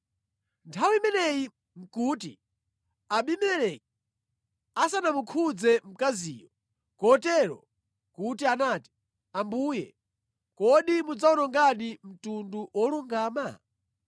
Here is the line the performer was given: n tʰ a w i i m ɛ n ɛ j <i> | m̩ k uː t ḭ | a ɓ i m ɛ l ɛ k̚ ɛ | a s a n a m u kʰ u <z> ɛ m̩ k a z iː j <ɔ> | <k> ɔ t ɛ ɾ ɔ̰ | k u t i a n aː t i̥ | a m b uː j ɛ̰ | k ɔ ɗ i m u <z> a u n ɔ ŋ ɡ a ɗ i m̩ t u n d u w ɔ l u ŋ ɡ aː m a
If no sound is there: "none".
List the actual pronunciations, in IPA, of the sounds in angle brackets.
i, d͡z, ɔ, k, d͡z

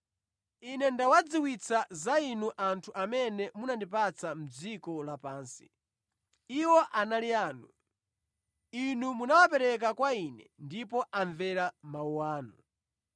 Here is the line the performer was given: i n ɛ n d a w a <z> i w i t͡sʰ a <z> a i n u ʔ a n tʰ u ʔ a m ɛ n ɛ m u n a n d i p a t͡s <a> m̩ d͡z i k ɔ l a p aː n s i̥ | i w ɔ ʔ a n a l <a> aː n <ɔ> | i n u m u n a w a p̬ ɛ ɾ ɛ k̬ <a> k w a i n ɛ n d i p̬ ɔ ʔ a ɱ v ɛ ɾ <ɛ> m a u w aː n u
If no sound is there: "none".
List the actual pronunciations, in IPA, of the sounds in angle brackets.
d͡z, z, a, i, u, a, a

